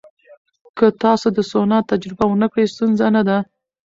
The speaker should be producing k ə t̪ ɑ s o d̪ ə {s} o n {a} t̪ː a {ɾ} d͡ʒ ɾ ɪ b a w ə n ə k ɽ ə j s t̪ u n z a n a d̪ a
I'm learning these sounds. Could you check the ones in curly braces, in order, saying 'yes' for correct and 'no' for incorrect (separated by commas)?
yes, no, no